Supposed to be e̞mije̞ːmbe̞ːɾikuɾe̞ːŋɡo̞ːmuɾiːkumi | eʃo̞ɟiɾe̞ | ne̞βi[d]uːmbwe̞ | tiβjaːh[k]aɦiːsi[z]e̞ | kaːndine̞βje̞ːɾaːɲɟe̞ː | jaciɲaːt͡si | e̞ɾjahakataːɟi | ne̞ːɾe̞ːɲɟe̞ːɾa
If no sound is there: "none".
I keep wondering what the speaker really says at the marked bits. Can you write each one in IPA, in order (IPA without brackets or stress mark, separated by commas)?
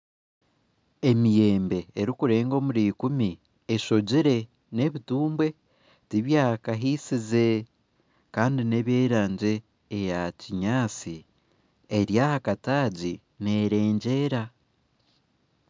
t, k, z